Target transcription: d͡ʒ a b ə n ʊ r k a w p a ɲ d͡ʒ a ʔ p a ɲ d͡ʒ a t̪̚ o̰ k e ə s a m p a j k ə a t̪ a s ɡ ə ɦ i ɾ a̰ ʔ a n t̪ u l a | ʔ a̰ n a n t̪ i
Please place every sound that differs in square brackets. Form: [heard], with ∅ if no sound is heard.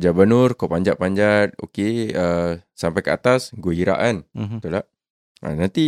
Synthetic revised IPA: d͡ʒ a b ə n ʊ r k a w p a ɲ d͡ʒ a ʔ p a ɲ d͡ʒ a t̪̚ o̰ k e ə s a m p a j k ə a t̪ a s ɡ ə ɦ i ɾ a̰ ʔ a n t̪ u l a | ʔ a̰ n a n t̪ i